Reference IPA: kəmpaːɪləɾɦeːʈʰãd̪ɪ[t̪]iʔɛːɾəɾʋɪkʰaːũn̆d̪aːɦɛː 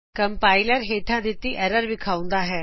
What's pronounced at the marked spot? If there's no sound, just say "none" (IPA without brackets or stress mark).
t̪